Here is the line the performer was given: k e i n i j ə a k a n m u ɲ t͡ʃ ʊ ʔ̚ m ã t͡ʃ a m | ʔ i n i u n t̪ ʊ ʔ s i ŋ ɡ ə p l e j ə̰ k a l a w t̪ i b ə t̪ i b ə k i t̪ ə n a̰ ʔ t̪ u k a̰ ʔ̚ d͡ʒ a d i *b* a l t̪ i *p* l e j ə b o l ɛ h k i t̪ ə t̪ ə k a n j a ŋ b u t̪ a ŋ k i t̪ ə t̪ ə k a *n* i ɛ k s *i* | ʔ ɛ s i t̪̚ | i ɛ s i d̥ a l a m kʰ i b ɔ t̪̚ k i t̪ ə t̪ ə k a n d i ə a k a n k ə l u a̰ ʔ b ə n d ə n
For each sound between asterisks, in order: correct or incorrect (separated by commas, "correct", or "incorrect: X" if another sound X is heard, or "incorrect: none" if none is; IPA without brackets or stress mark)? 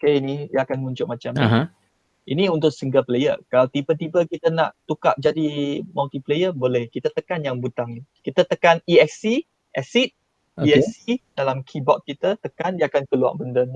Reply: incorrect: m, correct, correct, correct